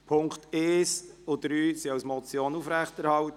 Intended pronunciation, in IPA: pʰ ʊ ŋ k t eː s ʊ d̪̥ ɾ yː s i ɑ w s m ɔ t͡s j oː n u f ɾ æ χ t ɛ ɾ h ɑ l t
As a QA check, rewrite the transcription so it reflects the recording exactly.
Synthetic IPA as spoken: pʰ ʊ ŋ k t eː s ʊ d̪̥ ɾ yː s i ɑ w s m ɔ t͡s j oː n u f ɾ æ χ t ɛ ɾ h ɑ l t

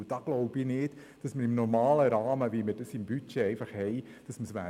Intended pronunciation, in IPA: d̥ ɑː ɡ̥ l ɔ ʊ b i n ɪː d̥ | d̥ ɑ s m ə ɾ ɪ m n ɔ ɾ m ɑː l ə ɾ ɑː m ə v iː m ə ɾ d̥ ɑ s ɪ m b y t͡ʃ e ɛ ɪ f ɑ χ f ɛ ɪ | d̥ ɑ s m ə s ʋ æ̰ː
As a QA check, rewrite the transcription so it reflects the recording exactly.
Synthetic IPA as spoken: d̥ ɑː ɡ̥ l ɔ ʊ b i n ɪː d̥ | d̥ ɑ s m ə ɾ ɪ m n ɔ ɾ m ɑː l ə ɾ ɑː m ə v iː m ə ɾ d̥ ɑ s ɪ m b y t͡ʃ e ɛ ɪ f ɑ χ h ɛ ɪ | d̥ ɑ s m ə s ʋ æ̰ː

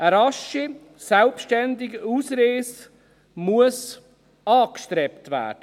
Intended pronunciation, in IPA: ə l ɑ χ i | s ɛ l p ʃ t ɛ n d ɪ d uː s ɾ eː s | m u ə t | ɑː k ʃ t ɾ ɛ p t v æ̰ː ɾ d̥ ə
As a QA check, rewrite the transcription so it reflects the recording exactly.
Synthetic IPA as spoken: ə ɾ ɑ ʃ i | s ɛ l p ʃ t ɛ n d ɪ ɡ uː s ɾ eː s | m u ə s | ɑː k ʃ t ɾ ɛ p t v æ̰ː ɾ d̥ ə

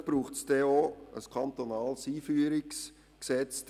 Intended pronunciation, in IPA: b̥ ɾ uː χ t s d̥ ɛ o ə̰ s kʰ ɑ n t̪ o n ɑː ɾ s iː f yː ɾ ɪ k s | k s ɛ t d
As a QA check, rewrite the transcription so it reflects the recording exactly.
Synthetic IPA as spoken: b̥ ɾ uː χ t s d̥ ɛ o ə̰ s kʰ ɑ n t̪ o n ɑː l s iː f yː ɾ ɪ k s | k s ɛ t͡s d

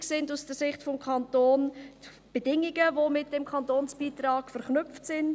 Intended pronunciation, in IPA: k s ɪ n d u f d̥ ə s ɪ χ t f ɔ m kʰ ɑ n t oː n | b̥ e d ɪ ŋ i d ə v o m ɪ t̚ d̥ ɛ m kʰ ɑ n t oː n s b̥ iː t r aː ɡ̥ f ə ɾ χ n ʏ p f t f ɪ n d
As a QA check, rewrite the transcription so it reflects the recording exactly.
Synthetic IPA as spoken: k s ɪ n d u s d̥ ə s ɪ χ t f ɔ m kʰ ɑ n t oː n | b̥ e d ɪ ŋ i ɡ ə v o m ɪ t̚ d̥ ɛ m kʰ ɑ n t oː n s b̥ iː t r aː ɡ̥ f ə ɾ χ n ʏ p f t s ɪ n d

